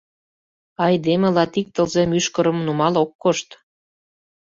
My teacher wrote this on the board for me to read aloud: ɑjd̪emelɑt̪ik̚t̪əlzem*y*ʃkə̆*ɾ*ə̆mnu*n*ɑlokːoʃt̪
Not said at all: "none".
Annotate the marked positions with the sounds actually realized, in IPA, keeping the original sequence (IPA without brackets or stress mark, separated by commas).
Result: y, ɾ, m